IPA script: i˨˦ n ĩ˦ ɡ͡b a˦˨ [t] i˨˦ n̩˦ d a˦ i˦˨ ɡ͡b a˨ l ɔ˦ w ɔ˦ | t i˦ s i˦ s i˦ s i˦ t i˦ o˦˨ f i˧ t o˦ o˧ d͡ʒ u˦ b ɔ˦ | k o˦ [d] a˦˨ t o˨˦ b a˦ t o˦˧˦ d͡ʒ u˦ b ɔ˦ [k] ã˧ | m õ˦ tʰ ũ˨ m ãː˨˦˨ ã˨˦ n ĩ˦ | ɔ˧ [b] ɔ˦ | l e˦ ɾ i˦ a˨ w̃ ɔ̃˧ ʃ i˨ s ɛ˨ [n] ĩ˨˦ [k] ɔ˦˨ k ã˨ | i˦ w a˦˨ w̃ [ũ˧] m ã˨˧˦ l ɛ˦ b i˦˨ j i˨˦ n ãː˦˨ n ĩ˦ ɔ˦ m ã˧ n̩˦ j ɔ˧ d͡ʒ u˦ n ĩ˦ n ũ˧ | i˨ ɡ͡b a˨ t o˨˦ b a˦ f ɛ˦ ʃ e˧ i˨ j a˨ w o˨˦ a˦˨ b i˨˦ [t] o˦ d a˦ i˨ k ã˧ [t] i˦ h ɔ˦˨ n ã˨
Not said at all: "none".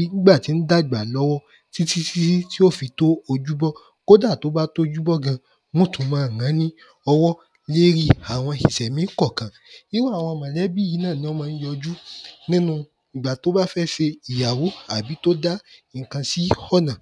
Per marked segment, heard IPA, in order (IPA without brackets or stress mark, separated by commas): t, d, ɡ, w, m, k, ɔ̃˧, t, s